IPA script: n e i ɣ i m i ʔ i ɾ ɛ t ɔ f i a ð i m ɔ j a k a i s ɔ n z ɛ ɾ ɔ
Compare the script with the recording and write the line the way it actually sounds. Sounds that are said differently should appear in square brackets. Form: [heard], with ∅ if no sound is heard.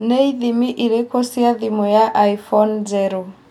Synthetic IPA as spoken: n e i [ð] i m i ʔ i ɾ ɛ [k] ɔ [s] i a ð i m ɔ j a [ʔ] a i [f] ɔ n z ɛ ɾ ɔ